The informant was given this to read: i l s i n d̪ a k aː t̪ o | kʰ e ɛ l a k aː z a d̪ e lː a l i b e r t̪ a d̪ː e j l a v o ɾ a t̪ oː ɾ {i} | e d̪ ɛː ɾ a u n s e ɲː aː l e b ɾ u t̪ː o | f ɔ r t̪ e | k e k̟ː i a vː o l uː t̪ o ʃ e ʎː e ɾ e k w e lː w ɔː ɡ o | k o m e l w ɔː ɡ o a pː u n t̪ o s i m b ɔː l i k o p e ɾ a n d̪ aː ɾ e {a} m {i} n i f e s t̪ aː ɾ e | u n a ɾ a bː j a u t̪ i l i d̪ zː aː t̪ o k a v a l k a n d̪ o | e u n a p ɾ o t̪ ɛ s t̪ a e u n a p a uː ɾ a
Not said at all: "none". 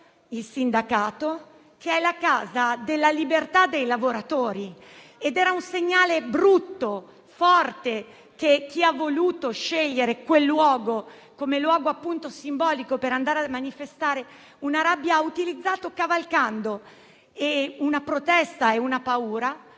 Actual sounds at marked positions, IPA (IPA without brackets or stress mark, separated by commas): i, a, a